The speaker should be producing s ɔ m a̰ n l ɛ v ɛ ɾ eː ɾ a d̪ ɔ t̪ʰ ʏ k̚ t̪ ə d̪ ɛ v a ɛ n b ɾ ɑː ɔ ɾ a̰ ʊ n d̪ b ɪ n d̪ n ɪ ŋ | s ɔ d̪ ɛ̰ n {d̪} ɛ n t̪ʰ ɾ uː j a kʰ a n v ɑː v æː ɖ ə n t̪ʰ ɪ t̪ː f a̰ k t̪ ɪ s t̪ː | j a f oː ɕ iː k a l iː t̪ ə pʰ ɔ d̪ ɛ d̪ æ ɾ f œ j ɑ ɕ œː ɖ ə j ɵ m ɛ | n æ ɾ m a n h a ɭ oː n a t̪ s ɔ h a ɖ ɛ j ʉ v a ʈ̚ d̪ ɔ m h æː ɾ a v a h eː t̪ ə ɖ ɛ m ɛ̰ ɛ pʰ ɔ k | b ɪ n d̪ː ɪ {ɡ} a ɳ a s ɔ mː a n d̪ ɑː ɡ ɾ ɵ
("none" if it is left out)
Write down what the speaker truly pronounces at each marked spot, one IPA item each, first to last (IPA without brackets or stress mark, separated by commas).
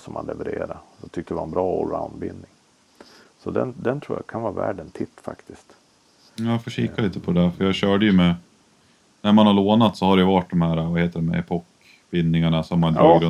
d̪, ŋ